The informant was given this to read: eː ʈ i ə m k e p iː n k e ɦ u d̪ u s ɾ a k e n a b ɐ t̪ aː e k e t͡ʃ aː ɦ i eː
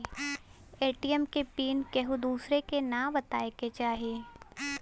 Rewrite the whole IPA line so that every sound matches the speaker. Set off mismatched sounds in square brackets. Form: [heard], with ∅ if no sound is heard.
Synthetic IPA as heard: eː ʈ i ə m k e p iː n k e ɦ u d̪ [uː] s ɾ [e] k e n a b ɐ t̪ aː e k e t͡ʃ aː ɦ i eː